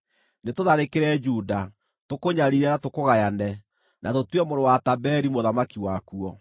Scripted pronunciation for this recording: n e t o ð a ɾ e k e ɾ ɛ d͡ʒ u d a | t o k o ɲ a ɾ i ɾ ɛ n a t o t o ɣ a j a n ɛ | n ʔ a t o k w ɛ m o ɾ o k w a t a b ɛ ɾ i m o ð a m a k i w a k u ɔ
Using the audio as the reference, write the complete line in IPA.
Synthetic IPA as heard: n e t o ð a ɾ e k e ɾ ɛ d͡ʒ u d a | t o k o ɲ a ɾ i ɾ ɛ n a t o k o ɣ a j a n ɛ | n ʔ a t o t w ɛ m o ɾ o w a t a b ɛ ɾ i m o ð a m a k i w a k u ɔ